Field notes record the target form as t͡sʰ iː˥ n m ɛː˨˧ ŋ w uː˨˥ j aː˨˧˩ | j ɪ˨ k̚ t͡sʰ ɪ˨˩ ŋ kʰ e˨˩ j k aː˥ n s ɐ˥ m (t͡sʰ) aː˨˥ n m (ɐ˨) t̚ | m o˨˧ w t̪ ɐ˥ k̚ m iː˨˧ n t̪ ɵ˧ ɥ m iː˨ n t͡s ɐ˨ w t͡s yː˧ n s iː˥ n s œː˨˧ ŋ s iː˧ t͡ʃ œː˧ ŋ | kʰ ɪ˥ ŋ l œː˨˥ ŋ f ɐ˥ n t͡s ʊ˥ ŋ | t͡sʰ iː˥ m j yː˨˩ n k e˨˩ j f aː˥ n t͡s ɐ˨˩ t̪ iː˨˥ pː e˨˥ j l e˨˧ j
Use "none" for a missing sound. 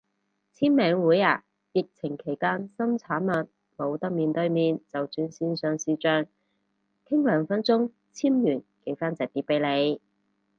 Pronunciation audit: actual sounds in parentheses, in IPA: t͡sʰ, ɐ˨

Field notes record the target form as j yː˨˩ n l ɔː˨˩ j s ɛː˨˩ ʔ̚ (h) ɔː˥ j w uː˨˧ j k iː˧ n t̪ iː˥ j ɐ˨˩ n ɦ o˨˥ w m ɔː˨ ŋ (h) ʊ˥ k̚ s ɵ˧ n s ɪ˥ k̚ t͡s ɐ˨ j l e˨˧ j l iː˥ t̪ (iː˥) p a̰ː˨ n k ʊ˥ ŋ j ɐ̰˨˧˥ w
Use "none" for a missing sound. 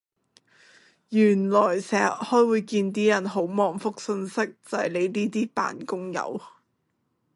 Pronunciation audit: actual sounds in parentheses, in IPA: h, f, iː˥

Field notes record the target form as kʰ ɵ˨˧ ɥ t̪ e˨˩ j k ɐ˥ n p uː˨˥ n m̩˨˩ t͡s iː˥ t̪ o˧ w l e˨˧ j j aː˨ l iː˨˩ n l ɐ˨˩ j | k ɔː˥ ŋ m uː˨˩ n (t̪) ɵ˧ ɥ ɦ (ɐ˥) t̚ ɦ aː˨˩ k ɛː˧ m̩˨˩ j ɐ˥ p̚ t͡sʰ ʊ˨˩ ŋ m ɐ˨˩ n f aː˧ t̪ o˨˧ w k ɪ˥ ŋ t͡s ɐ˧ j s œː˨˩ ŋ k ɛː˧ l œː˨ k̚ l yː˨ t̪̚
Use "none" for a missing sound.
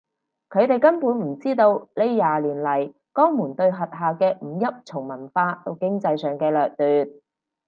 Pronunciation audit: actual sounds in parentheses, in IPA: t̪, ɐ˨

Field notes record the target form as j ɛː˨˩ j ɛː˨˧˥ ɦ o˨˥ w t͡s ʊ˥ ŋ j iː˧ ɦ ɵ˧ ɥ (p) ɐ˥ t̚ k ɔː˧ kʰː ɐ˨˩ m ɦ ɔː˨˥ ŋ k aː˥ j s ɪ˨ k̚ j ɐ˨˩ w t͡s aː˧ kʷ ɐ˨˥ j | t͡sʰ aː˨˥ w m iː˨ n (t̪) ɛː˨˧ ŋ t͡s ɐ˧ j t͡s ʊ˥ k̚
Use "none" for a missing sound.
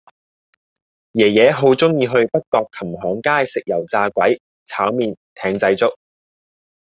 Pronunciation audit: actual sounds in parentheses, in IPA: p, t̪ʰ

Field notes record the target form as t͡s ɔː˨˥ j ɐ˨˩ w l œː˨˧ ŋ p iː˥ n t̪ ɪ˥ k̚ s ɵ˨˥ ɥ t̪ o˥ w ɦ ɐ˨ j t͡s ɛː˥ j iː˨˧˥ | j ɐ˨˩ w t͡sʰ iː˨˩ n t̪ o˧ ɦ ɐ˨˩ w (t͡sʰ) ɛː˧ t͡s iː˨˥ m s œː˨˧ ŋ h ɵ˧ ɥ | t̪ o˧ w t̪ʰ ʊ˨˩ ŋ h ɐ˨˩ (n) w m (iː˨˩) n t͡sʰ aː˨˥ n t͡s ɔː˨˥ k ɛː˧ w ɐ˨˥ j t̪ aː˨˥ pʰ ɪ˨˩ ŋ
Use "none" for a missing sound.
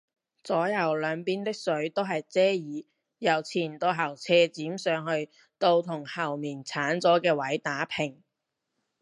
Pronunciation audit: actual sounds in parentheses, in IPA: t͡sʰ, none, iː˨˩

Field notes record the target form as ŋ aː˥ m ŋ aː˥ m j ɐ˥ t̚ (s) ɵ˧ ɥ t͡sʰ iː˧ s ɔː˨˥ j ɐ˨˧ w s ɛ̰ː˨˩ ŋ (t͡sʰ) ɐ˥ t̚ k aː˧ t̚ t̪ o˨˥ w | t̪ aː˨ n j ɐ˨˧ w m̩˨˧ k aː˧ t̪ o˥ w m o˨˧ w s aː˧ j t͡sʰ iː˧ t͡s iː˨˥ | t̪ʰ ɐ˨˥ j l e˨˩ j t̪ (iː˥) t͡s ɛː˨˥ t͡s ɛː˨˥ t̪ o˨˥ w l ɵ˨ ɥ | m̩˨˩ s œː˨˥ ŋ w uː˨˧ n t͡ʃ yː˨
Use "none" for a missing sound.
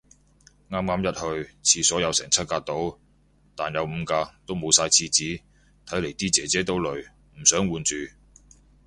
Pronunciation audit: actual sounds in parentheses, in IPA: h, t͡sʰ, iː˥

